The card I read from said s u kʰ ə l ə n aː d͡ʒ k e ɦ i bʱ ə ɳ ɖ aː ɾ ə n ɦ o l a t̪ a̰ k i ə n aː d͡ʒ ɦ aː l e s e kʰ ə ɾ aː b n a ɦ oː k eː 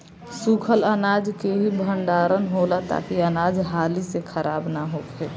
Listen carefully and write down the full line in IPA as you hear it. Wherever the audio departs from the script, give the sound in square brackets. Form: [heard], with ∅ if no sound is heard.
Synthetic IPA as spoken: s u kʰ ə l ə n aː d͡ʒ k e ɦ i bʱ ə ɳ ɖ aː ɾ ə n ɦ o l a t̪ a̰ k i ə n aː d͡ʒ ɦ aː l [i] s e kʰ ə ɾ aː b n a ɦ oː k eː